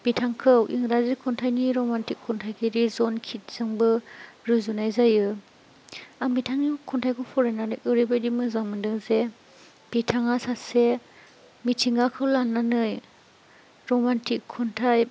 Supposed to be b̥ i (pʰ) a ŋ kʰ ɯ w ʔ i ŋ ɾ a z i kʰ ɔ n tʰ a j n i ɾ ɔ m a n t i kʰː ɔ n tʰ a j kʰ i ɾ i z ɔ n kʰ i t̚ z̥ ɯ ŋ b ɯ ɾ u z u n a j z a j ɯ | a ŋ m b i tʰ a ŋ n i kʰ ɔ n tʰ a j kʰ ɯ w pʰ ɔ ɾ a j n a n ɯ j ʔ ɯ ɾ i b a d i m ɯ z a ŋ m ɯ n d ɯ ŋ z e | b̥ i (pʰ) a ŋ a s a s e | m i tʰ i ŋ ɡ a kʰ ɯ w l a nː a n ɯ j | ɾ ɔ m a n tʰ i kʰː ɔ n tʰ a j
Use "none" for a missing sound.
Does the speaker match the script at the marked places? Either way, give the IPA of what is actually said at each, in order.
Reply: tʰ, tʰ

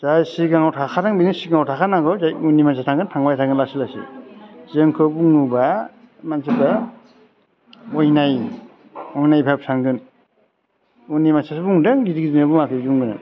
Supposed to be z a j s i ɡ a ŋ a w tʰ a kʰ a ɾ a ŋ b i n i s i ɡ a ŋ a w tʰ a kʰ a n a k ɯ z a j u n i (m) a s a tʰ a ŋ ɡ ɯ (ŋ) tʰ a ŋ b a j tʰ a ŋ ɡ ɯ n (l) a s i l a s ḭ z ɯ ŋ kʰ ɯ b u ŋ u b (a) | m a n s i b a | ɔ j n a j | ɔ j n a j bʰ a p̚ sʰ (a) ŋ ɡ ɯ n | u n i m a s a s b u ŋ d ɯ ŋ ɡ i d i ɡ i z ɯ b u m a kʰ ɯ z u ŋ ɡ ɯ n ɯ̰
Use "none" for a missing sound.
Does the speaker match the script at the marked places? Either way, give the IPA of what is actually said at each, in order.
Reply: m, n, l, a, a

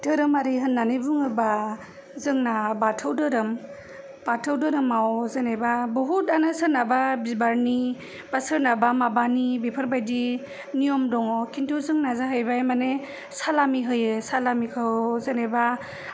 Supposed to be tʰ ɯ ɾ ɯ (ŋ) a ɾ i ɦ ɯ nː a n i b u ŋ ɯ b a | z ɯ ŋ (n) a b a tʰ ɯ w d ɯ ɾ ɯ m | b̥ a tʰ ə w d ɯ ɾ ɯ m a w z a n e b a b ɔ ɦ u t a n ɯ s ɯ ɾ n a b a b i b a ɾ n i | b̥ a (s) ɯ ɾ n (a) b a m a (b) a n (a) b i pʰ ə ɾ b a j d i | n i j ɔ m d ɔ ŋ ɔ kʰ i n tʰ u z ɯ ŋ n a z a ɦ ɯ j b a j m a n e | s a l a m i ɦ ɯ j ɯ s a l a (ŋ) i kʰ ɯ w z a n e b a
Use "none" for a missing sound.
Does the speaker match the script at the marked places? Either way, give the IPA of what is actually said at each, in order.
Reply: m, n, s, a, b, i, m

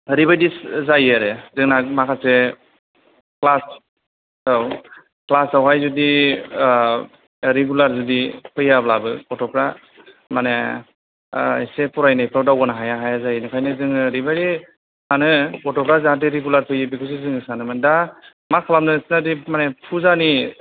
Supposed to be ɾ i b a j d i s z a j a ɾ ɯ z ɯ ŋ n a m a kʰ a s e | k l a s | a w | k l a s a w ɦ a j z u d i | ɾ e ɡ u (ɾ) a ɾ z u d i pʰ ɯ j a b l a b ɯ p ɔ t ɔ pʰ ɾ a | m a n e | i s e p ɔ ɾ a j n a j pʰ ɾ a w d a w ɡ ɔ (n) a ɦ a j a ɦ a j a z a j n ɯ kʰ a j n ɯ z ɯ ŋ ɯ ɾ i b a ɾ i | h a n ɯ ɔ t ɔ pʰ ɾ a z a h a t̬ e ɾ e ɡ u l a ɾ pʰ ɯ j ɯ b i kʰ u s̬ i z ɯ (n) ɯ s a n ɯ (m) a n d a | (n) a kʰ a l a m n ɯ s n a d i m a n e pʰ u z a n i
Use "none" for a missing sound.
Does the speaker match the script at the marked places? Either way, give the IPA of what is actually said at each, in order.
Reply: l, n, ŋ, m, m

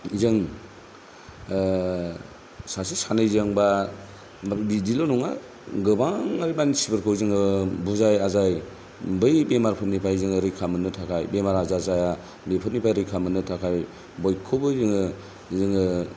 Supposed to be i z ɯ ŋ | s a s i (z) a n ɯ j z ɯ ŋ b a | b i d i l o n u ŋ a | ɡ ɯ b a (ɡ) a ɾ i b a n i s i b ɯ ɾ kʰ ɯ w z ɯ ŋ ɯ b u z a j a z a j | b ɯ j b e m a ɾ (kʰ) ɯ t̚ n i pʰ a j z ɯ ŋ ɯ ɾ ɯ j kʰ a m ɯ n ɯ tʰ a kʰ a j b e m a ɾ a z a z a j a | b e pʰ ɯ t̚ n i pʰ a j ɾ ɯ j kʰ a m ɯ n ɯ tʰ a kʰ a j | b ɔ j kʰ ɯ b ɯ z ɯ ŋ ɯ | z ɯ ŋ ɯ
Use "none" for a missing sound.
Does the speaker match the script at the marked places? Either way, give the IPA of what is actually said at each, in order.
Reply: s, ŋ, pʰ

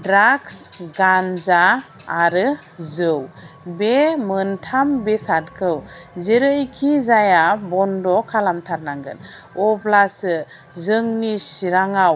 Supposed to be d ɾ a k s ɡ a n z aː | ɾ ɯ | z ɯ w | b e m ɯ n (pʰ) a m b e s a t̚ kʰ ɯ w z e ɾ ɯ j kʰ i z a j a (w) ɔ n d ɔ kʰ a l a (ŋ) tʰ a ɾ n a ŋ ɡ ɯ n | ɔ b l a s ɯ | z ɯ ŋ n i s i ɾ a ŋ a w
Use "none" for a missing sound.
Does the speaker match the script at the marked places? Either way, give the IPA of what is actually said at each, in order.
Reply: tʰ, b, m

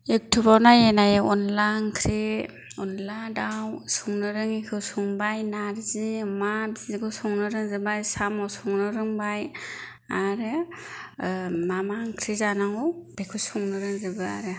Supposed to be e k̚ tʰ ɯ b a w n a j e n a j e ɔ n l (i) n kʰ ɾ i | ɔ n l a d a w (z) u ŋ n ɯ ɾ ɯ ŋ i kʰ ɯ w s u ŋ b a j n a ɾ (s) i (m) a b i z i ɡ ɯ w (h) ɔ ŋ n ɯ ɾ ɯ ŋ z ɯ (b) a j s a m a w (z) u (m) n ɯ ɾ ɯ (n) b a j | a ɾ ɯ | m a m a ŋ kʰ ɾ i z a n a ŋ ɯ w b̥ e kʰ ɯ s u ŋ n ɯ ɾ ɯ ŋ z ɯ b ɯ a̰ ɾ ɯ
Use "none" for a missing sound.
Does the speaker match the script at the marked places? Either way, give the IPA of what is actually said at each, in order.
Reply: a, s, z, m, s, b, s, ŋ, ŋ

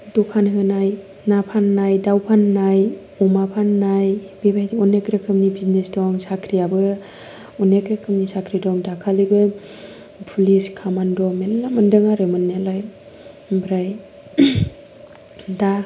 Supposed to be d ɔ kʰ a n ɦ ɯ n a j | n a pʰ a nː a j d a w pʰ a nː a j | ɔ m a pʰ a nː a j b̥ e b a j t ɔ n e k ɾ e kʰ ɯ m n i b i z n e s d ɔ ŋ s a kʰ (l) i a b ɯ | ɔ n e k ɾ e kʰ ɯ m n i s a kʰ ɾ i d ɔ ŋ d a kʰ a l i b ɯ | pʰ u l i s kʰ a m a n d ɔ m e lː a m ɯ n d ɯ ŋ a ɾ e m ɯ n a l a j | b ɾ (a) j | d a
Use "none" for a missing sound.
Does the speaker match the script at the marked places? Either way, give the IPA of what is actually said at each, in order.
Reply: ɾ, a

